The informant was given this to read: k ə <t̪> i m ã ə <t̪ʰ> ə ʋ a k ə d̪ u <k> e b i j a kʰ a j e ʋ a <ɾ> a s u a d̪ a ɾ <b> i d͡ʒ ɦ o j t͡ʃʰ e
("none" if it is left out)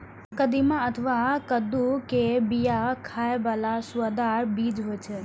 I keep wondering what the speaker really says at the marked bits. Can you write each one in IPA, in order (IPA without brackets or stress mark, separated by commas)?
d̪, t̪ʰ, k, l, b